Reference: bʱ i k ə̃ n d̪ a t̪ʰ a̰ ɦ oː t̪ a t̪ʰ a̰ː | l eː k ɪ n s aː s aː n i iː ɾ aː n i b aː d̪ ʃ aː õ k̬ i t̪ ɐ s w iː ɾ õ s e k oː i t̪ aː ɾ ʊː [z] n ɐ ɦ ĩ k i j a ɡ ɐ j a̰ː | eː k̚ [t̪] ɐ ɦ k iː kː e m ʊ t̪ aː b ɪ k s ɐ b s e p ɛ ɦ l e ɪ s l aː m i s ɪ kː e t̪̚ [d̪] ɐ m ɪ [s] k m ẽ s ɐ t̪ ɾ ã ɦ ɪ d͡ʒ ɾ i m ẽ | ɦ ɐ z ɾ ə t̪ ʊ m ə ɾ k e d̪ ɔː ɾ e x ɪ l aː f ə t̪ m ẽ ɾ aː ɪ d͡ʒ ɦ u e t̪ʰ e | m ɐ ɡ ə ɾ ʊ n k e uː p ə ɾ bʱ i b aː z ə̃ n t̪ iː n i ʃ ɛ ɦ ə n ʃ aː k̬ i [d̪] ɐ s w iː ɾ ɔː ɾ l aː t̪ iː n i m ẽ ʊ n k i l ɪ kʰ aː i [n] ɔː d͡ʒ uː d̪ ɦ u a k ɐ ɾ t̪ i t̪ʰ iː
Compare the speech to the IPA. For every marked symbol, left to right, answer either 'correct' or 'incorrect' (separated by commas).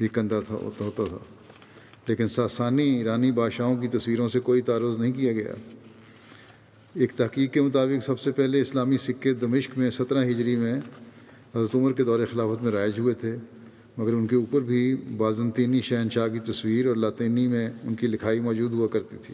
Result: correct, correct, correct, incorrect, incorrect, incorrect